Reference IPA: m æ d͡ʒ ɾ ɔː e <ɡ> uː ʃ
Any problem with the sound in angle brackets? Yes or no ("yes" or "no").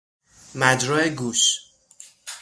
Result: no